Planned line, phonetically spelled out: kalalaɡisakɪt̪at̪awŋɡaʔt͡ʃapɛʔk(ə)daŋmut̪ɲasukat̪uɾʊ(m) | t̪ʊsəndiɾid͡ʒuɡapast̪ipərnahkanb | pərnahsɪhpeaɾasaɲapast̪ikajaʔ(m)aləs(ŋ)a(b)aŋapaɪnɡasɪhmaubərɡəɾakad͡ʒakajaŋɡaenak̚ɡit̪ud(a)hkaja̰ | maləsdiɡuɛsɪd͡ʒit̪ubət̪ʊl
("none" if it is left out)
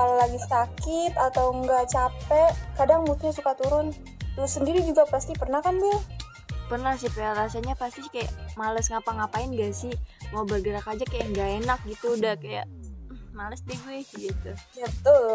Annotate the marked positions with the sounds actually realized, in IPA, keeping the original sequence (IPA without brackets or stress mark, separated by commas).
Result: a, n, m, ŋ, p, a